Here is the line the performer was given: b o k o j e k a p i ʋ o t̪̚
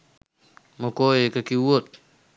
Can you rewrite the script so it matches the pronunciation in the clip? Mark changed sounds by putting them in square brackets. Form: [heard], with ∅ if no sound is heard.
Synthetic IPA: [m] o k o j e k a [k] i [w] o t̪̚